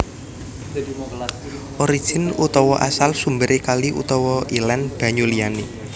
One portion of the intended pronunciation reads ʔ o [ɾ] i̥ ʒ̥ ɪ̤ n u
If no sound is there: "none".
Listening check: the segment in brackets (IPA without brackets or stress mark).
ɾ